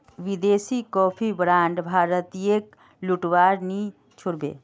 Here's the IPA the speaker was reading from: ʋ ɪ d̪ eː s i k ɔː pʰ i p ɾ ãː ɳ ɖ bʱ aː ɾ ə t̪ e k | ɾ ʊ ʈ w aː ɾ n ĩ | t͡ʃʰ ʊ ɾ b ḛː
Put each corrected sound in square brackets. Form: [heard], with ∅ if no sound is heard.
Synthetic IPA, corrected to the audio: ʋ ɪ d̪ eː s i k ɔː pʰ i [b] ɾ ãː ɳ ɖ bʱ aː ɾ ə t̪ e k | [l] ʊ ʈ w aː ɾ n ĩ | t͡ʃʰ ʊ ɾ b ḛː